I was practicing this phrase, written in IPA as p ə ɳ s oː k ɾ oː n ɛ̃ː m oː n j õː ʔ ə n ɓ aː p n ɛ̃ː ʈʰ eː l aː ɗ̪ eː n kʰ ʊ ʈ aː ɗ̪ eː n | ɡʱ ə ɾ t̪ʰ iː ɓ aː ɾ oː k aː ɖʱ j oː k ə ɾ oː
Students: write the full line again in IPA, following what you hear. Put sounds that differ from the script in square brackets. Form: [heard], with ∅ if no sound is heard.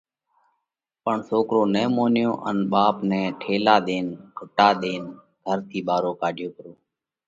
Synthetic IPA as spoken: p ə ɳ s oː k ɾ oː n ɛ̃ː m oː n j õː ʔ ə n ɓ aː p n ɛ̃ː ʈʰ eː l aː ɗ̪ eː n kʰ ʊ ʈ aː ɗ̪ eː n | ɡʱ ə ɾ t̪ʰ iː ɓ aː ɾ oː k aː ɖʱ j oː k ə ɾ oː